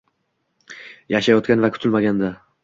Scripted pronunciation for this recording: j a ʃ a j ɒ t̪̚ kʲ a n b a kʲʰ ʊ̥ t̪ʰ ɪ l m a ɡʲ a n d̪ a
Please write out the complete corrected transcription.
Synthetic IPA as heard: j a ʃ a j ɒ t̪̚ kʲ a n v a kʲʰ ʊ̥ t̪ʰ ɪ l m a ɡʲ a n d̪ a

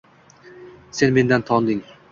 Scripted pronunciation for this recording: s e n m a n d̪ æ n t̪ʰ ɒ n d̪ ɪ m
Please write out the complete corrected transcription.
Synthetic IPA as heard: s e n m e n d̪ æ n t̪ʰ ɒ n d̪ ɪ ŋ

